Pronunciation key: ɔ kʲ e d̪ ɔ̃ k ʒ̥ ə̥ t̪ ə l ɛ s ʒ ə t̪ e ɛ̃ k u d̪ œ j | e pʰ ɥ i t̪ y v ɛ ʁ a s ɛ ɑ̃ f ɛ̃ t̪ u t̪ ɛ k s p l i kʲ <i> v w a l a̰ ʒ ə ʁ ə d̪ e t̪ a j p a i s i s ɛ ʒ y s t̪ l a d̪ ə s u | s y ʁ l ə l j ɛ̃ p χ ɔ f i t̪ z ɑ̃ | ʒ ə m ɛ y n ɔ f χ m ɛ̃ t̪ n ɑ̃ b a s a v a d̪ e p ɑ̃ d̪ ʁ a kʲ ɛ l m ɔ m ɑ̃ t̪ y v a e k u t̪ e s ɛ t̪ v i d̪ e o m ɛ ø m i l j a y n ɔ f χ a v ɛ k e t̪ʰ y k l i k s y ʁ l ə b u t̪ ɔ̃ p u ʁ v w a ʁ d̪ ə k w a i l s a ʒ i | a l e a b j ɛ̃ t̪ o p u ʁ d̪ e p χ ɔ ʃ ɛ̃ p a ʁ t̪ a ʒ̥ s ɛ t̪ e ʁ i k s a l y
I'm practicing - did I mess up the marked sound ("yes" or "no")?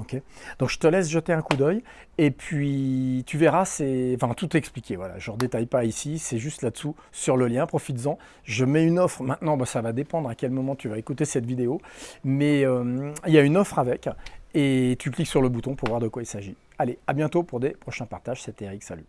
yes